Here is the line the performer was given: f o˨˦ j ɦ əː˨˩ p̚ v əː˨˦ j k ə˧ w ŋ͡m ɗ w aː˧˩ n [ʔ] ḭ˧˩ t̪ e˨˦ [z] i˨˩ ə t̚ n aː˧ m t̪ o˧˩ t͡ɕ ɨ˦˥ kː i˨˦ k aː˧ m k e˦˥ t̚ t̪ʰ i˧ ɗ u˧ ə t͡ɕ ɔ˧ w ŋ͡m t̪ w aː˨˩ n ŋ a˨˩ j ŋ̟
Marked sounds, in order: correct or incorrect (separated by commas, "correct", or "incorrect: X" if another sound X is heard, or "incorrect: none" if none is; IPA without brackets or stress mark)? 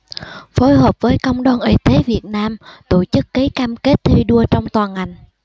correct, incorrect: v